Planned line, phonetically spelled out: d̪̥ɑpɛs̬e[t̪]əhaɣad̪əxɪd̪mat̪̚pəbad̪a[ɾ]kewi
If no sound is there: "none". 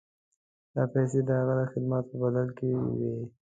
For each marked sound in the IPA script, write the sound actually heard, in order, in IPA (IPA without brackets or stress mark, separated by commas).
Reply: d̪, l